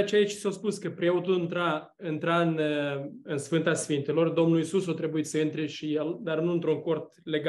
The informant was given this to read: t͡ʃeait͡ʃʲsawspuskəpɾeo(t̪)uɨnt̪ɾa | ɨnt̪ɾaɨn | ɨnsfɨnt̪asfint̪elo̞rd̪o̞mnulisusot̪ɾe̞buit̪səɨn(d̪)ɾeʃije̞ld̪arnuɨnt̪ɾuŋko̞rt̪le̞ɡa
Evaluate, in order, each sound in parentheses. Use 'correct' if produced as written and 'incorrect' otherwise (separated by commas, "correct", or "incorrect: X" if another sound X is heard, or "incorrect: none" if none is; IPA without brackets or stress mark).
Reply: correct, incorrect: t̪